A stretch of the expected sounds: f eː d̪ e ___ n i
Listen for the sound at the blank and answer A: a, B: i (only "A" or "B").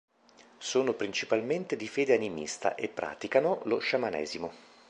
A